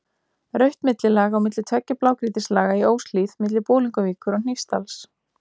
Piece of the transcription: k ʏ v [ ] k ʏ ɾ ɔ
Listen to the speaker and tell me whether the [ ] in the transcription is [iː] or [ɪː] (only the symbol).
iː